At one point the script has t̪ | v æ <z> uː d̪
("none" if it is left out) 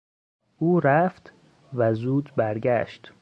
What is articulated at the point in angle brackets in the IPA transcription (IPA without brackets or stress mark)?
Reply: z